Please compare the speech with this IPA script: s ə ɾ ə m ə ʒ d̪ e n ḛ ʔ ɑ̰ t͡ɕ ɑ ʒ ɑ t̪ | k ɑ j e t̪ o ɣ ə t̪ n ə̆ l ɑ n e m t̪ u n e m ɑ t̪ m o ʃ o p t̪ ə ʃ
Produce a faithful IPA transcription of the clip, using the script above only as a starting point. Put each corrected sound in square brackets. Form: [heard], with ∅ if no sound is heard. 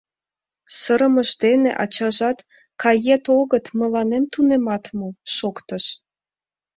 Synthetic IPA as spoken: s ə ɾ ə m ə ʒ d̪ e n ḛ ʔ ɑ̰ t͡ɕ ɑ ʒ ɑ t̪ | k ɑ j e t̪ o ɣ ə t̪ [m] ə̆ l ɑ n e m t̪ u n e m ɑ t̪ m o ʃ o [k] t̪ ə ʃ